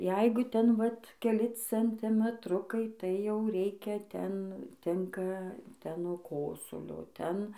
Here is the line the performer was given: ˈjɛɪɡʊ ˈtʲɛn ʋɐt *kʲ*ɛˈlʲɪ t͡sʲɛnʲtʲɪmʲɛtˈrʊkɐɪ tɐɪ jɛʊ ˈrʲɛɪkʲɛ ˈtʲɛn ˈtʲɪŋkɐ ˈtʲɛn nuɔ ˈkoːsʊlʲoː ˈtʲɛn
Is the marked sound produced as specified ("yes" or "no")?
yes